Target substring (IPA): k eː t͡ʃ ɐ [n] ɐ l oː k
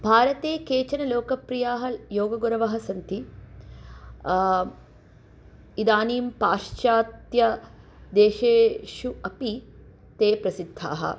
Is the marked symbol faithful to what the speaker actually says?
yes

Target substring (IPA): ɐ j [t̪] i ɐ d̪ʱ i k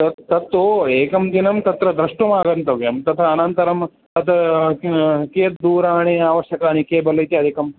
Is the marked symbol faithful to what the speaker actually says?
yes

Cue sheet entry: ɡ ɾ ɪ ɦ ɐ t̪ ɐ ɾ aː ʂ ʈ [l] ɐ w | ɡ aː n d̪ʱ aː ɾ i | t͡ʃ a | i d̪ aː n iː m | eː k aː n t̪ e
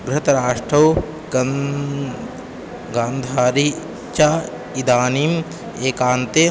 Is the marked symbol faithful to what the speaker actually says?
no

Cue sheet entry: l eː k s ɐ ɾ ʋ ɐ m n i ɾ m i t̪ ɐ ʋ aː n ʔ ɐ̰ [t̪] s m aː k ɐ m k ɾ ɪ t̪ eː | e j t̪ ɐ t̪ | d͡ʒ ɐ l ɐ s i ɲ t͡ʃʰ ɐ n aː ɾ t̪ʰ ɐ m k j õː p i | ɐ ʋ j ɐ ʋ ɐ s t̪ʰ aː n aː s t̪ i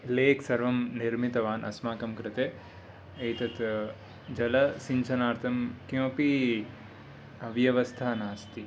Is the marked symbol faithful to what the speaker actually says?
no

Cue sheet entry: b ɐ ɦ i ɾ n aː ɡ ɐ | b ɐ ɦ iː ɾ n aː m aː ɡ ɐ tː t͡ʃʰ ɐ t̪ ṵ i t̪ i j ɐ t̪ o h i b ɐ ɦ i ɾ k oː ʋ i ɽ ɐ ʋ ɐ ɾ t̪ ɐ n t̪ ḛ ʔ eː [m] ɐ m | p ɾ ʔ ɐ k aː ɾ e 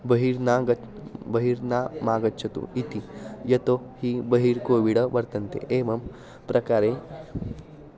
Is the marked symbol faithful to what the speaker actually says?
yes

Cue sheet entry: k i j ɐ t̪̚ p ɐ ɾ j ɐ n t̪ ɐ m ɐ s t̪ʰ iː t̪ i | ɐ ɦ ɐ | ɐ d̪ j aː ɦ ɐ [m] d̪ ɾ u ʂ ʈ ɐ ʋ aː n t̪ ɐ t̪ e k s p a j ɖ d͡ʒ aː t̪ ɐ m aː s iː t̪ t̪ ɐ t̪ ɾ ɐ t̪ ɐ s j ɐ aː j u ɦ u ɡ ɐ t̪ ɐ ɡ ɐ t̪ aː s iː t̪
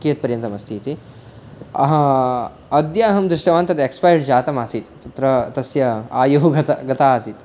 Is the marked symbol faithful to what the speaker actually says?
yes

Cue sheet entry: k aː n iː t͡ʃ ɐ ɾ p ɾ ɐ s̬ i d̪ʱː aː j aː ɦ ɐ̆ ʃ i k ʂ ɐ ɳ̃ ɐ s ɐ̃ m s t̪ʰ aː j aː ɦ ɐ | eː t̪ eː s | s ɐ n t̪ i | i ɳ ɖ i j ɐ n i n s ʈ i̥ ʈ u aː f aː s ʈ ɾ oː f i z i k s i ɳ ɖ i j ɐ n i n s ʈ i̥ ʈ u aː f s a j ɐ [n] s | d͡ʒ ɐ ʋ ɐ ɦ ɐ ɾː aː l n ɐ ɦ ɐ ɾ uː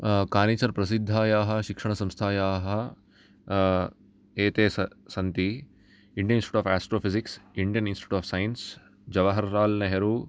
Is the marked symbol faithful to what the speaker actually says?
yes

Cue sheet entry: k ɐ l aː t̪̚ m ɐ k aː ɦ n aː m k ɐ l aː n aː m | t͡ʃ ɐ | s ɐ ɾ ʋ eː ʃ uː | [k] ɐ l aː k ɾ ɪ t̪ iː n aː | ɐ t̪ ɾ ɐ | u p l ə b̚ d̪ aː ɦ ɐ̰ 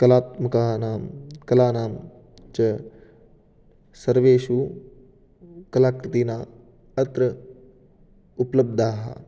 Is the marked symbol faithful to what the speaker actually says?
yes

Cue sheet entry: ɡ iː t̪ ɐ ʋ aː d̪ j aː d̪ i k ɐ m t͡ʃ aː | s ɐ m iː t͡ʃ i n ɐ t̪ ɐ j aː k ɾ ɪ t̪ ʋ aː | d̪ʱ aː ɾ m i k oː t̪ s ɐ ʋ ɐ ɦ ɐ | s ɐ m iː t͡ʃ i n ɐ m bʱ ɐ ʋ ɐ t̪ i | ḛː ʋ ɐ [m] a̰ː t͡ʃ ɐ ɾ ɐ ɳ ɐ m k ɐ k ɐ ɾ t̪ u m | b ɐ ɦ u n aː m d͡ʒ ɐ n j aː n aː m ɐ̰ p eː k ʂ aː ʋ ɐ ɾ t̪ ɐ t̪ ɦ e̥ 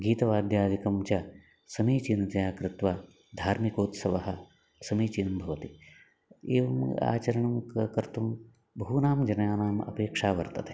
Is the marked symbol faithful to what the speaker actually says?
yes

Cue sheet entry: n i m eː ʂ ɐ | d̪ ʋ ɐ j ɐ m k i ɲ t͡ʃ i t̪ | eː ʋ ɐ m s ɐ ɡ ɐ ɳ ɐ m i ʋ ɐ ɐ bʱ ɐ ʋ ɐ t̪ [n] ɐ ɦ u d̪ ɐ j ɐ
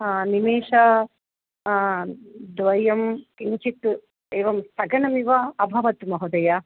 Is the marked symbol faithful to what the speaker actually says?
no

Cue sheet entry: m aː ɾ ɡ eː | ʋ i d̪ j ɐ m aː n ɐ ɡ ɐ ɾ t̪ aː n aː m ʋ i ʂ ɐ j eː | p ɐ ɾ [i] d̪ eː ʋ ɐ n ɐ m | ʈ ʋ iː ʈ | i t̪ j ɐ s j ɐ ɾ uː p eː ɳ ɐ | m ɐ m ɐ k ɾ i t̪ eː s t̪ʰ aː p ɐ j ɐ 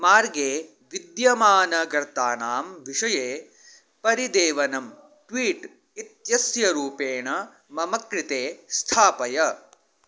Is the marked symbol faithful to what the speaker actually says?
yes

